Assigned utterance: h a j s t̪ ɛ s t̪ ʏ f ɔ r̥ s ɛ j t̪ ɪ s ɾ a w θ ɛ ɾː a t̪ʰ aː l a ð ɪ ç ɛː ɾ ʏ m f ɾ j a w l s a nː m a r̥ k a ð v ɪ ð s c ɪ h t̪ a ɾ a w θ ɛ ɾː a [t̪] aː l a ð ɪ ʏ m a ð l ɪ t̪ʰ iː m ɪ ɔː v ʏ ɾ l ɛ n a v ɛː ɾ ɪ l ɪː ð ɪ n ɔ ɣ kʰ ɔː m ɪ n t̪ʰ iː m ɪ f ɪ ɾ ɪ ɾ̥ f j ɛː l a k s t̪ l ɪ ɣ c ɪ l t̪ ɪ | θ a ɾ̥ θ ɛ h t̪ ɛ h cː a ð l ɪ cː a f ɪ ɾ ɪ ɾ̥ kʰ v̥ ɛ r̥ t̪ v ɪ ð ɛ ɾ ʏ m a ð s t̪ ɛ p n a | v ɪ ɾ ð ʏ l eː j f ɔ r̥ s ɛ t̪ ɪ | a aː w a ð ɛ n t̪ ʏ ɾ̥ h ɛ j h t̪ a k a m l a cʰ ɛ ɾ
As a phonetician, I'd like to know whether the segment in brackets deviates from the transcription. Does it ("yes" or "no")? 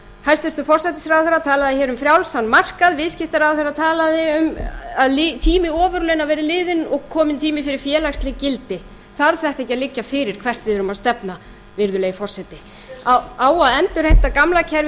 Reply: yes